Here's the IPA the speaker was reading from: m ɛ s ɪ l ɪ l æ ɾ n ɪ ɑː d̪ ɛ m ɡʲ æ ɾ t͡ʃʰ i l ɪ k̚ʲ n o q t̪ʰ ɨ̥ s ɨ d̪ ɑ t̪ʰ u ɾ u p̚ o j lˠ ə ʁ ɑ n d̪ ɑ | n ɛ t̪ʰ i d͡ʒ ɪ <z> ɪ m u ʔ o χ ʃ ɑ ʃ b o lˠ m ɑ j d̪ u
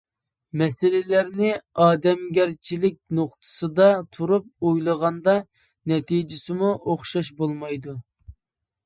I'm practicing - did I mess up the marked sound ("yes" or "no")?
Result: yes